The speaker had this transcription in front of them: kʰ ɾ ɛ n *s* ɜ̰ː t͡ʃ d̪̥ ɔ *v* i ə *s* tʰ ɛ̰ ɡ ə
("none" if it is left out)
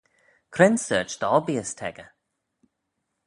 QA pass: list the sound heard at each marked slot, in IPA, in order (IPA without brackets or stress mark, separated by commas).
s, b, s